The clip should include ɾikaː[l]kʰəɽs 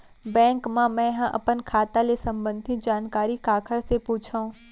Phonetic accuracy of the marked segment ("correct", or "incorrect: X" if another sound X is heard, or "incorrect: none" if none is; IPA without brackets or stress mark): incorrect: none